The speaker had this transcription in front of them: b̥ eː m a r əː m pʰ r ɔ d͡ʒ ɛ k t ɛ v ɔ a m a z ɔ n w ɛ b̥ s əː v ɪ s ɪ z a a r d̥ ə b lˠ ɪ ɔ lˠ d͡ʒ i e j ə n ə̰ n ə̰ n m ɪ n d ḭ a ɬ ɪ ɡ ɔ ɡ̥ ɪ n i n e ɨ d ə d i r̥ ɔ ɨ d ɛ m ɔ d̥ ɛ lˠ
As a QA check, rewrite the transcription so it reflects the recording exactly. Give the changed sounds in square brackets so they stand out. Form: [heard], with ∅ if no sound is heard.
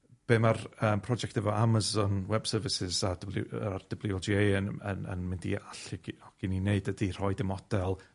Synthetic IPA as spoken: b̥ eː m a r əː m pʰ r ɔ d͡ʒ ɛ k t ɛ v ɔ a m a z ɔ n w ɛ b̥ s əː v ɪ s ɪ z a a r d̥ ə b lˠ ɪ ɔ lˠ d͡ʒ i e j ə n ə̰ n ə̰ n m ɪ n d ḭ a ɬ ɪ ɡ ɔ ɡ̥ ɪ n i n e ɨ d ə d i r̥ ɔ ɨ d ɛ m ɔ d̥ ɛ lˠ